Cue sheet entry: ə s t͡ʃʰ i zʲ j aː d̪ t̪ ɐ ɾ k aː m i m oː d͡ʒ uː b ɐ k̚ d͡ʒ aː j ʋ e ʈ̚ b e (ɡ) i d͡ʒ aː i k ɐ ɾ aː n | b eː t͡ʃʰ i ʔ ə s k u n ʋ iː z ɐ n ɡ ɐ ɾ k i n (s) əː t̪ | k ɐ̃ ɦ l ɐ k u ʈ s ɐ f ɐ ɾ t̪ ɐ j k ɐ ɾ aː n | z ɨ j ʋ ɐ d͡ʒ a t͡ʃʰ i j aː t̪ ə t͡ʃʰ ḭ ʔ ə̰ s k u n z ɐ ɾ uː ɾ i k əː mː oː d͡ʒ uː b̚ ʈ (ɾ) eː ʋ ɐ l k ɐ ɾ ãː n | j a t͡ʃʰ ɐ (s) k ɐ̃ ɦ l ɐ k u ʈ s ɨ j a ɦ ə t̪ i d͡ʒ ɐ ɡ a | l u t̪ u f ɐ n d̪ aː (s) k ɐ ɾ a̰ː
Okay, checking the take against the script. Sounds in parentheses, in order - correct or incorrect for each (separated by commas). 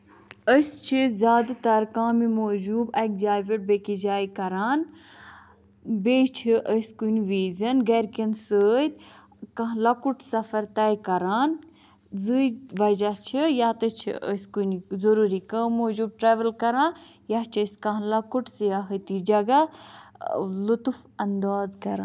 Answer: incorrect, correct, correct, correct, incorrect